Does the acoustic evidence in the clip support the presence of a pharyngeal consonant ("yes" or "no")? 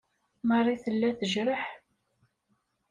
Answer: yes